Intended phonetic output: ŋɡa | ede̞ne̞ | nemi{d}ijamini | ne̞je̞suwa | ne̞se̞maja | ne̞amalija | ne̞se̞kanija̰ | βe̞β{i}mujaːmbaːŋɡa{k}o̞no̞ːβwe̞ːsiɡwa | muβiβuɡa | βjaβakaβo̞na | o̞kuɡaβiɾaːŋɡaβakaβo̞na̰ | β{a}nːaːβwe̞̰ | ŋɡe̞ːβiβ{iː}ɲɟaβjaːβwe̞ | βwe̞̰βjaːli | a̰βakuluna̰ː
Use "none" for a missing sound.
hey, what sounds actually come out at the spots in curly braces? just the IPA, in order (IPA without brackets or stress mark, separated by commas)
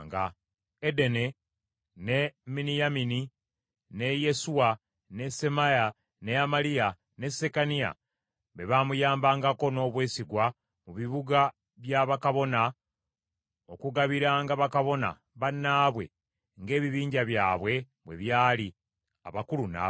n, a, k, a, iː